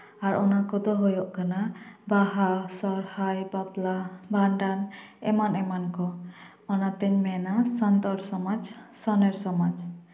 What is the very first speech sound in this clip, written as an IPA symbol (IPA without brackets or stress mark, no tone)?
a